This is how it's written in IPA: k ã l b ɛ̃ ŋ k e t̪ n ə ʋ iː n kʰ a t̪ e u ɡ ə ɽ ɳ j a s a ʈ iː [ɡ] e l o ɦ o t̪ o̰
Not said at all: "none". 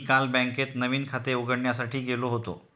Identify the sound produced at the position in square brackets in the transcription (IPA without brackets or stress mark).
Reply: ɡ